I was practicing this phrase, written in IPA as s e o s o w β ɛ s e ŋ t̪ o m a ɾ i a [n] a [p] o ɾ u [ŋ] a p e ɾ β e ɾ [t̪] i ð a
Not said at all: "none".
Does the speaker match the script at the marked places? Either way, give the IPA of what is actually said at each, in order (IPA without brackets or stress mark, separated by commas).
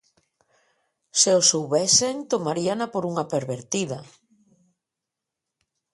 n, p, ŋ, t̪